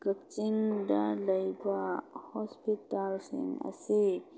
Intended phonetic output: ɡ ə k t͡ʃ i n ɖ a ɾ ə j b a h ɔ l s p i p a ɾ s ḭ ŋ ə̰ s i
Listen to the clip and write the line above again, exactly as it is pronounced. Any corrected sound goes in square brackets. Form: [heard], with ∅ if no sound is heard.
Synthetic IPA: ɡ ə k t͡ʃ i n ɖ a [l] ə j b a h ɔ [∅] s p i [t] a [l] s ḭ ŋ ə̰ s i

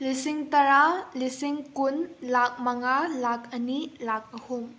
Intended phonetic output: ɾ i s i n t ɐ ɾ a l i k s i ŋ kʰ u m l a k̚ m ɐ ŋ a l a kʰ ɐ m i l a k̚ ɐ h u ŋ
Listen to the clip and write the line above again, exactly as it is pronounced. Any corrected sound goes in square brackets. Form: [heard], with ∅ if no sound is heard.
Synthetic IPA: [l] i s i [ŋ] t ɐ ɾ a l i [∅] s i ŋ [k] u [n] l a k̚ m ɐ ŋ a l a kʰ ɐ [n] i l a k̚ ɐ h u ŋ

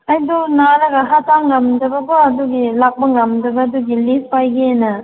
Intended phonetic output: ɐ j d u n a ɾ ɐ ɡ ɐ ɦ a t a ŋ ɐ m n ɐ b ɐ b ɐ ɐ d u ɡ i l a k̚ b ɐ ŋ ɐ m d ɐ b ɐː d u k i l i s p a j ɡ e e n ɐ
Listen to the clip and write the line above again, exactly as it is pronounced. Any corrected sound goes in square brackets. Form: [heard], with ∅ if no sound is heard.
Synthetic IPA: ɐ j d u n a ɾ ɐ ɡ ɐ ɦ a t a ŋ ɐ m [d] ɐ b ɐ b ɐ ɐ d u ɡ i l a k̚ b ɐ ŋ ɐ m d ɐ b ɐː d u [ɡ] i l i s p a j ɡ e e n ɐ

